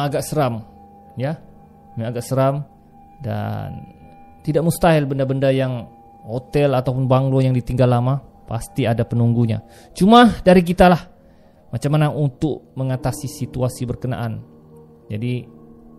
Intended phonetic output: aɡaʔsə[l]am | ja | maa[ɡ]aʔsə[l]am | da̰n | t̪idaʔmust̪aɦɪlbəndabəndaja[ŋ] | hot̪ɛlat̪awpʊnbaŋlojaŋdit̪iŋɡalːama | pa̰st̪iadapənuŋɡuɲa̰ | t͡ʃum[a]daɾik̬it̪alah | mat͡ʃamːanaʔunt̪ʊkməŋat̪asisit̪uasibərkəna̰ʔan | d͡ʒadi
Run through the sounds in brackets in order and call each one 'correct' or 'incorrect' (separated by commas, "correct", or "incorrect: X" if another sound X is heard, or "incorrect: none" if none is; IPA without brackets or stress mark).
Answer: incorrect: ɾ, correct, incorrect: ɾ, correct, correct